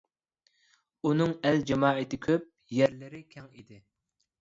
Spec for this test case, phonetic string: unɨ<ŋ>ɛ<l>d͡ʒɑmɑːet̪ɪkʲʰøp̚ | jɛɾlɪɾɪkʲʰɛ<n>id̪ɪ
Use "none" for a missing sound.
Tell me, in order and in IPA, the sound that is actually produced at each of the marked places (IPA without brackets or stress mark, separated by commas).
ŋ, l, ŋ